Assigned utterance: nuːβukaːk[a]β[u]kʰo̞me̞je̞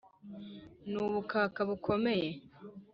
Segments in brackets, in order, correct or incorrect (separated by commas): correct, correct